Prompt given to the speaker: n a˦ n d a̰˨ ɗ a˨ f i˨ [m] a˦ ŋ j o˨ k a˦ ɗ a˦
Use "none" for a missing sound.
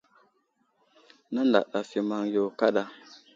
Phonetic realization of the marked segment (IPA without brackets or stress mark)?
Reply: m